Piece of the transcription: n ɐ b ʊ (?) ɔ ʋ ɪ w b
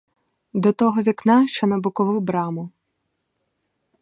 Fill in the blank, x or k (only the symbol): k